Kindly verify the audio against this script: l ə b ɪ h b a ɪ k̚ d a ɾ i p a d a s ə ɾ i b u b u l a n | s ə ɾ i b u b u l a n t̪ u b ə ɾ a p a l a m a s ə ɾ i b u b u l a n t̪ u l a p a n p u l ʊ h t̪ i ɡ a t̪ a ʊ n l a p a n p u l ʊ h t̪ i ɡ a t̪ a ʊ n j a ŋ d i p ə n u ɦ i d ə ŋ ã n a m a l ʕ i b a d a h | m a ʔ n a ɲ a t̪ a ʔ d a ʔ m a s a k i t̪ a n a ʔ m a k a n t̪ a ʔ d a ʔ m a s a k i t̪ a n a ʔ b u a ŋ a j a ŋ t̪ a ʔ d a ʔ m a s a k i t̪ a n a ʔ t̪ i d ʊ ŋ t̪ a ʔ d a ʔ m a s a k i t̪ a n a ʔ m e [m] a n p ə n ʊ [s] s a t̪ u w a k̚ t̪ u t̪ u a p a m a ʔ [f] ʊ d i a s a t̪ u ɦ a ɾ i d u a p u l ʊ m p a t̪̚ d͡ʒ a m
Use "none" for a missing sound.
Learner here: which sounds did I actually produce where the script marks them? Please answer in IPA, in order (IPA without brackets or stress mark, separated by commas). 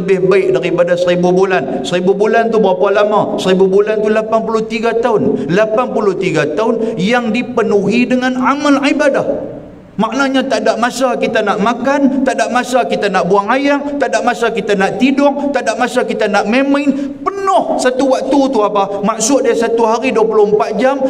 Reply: m, h, s